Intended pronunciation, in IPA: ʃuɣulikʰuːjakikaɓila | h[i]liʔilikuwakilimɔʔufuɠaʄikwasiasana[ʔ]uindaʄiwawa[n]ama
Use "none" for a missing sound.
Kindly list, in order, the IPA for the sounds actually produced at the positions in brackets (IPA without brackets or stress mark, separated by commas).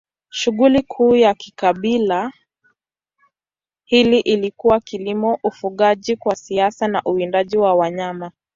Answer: i, ʔ, ɲ